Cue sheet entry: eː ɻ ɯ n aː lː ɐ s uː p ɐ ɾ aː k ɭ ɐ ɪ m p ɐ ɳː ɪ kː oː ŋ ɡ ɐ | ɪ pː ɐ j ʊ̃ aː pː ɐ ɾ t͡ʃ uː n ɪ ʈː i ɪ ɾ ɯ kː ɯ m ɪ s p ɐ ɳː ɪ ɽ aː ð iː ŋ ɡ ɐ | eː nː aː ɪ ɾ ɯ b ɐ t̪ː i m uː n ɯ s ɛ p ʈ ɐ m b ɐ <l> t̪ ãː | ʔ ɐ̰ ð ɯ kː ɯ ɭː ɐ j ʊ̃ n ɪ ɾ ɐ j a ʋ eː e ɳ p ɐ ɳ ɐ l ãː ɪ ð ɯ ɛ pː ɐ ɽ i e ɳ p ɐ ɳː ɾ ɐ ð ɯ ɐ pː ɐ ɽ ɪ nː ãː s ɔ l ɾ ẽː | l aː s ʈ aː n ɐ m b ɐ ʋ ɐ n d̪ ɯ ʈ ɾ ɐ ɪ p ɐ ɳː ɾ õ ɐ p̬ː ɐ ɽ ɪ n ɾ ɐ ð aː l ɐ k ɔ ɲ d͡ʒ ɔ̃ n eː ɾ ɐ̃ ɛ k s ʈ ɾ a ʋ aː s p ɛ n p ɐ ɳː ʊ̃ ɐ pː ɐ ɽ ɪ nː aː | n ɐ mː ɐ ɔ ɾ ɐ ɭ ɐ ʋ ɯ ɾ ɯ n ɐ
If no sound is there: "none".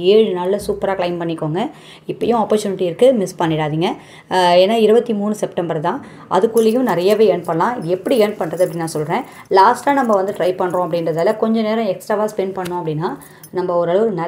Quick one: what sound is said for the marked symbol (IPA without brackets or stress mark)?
ɾ